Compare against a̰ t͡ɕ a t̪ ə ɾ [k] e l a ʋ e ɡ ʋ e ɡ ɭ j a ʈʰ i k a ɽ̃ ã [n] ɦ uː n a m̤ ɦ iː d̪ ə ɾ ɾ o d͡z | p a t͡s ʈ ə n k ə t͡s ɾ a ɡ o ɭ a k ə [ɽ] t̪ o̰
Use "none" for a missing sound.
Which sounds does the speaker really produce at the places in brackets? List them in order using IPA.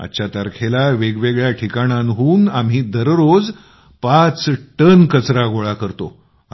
kʰ, n, ɾ

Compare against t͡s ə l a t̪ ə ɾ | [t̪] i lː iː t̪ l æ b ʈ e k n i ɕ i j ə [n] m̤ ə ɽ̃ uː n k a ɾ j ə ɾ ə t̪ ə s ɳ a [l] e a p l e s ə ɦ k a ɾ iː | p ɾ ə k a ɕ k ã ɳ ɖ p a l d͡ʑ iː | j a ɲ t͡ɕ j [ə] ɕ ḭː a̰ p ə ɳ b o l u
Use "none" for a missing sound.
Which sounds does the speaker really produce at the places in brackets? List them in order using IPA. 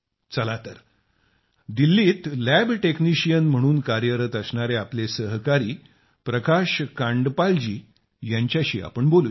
d̪, n, ɾ, a

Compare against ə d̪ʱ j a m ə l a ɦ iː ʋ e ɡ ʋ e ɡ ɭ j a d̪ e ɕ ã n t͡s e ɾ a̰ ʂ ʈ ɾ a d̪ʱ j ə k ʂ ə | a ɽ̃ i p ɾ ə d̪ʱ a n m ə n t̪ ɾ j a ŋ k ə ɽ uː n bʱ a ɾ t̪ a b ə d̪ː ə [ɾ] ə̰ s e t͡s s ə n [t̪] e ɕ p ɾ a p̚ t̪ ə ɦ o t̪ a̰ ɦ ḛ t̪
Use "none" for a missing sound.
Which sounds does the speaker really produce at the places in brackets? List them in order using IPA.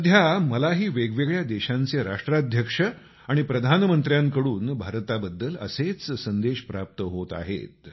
l, d̪

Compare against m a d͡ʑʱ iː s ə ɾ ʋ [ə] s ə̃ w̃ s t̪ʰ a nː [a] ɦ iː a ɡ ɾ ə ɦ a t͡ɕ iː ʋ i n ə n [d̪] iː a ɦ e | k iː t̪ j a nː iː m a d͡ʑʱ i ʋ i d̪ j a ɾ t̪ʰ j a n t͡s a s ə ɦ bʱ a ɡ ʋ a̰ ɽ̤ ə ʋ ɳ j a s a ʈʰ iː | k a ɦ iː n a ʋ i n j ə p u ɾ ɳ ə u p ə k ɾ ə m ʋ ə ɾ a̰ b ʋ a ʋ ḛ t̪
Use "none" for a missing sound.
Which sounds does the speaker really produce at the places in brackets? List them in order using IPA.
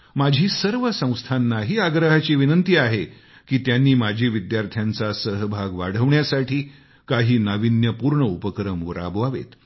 ə, a, t̪

